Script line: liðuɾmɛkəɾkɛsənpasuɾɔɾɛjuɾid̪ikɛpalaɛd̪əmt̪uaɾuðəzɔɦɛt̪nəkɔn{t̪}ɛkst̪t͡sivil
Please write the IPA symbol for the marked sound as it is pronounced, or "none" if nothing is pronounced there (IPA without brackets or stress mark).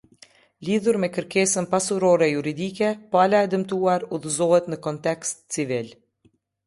t̪